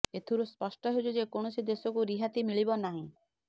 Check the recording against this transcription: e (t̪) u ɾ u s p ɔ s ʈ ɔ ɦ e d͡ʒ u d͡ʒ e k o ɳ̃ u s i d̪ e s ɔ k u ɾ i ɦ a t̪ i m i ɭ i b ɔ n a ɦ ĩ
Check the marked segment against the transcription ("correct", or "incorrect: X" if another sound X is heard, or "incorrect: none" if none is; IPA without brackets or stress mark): incorrect: t̪ʰ